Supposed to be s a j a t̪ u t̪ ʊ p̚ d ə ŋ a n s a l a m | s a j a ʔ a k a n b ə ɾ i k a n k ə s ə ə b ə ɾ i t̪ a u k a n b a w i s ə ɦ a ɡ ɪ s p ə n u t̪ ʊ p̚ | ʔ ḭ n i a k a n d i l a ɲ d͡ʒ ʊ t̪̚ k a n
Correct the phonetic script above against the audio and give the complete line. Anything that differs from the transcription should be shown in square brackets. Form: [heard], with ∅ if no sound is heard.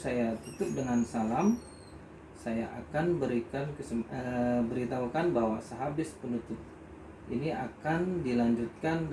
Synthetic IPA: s a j a t̪ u t̪ ʊ p̚ d ə ŋ a n s a l a m | s a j a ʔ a k a n b ə ɾ i k a n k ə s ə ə b ə ɾ i t̪ a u k a n b a w [a] s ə ɦ a [b] ɪ s p ə n u t̪ ʊ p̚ | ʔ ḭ n i a k a n d i l a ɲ d͡ʒ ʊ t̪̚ k a n